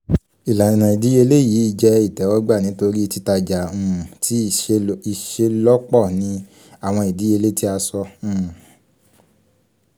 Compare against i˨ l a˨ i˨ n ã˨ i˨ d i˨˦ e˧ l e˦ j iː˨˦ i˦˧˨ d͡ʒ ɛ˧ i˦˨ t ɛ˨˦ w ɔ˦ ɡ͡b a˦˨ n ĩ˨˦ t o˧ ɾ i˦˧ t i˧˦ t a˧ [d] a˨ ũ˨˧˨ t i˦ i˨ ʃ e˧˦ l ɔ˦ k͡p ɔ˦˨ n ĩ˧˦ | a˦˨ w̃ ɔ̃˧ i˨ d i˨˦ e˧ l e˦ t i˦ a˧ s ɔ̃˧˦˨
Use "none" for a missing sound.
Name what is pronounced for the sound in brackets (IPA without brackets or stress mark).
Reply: d͡ʒ